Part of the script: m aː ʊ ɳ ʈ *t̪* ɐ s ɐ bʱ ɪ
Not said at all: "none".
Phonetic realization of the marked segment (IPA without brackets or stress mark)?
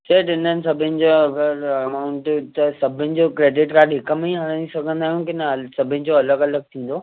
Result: t̪